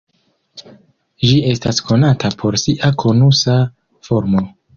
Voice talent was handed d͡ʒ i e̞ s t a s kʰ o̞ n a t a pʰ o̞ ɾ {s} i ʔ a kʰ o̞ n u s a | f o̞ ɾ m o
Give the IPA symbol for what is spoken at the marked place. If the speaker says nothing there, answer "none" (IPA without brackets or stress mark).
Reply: s